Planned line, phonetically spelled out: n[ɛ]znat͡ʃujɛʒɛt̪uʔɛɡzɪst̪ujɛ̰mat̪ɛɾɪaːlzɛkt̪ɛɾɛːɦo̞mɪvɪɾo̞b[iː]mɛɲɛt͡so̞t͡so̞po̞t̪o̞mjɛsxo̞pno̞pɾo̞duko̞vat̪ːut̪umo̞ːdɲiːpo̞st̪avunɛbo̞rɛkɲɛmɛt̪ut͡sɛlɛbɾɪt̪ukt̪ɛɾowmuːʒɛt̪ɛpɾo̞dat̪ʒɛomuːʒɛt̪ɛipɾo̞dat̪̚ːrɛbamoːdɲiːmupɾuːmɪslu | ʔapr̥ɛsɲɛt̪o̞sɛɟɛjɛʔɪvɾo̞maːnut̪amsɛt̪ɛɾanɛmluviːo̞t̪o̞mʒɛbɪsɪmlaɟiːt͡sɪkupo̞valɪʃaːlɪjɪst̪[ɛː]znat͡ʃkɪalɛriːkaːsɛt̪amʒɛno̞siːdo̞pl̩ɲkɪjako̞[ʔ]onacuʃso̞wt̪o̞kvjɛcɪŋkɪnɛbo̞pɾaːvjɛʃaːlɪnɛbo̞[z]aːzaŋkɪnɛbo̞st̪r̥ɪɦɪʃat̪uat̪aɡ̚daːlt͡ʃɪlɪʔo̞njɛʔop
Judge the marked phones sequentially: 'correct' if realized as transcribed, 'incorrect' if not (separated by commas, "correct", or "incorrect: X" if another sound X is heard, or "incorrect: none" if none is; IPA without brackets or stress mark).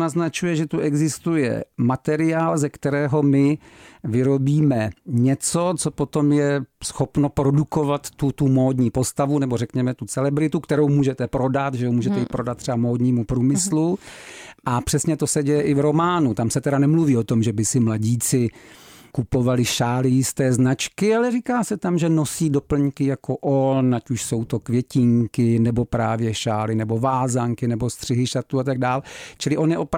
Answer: incorrect: a, correct, correct, correct, incorrect: v